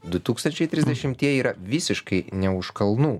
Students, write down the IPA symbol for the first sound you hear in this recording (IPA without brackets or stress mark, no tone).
d̪